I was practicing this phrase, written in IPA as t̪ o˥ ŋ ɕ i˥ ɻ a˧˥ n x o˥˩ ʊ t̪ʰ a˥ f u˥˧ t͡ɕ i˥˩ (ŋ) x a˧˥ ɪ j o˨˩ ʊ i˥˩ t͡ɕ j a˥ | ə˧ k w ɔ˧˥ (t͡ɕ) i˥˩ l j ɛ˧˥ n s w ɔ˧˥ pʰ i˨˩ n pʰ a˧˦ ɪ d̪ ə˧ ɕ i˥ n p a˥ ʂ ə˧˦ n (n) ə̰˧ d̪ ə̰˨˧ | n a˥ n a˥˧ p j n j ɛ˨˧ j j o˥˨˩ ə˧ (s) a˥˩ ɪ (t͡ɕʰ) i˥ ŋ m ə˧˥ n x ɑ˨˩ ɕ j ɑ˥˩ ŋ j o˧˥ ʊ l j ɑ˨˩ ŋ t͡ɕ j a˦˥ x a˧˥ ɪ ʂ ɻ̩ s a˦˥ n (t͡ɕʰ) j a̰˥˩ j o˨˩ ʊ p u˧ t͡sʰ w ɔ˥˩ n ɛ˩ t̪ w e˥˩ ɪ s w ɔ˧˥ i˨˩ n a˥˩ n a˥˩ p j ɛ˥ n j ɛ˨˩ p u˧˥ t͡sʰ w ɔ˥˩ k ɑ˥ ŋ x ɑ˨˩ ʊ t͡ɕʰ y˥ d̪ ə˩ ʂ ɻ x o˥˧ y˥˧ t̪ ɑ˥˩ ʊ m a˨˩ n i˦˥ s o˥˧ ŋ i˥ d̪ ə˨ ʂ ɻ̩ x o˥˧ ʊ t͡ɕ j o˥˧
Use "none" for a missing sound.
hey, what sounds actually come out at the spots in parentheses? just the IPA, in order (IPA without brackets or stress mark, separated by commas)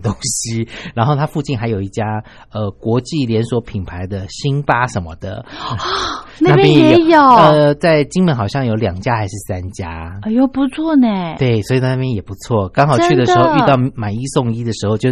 n, t͡ɕ, m, t͡s, t͡ɕ, t͡ɕ